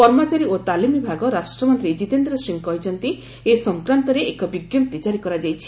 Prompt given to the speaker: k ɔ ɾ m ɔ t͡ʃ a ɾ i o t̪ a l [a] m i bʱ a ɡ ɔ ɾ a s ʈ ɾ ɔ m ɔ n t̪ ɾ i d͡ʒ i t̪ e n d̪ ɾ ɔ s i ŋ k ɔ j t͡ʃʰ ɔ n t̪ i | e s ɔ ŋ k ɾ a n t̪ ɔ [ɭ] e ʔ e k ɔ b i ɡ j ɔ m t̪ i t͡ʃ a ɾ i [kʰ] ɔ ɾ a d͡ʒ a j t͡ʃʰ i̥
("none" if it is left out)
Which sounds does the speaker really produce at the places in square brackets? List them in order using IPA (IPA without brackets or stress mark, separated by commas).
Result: i, ɾ, k